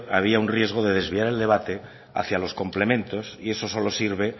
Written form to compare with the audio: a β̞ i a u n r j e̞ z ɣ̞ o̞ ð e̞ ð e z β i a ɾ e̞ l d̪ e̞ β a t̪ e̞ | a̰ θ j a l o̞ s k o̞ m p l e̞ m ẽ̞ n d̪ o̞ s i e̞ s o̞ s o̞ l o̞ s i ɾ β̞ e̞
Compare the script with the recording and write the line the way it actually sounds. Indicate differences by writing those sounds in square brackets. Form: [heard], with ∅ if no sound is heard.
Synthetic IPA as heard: a β̞ i a u n r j e̞ z ɣ̞ o̞ ð e̞ ð e z β i a ɾ e̞ l d̪ e̞ β a t̪ e̞ | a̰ θ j a l o̞ s k o̞ m p l e̞ m ẽ̞ n [t̪] o̞ s i e̞ s o̞ s o̞ l o̞ s i ɾ β̞ e̞